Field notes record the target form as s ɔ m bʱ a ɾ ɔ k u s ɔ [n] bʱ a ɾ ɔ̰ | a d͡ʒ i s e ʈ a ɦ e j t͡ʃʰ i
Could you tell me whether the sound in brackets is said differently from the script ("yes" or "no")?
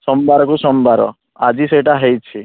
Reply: yes